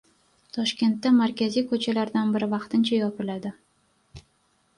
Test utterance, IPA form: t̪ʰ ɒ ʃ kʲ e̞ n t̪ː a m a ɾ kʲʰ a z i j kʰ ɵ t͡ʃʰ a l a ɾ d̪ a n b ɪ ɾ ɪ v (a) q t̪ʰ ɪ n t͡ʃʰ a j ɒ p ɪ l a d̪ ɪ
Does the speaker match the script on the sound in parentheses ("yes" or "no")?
no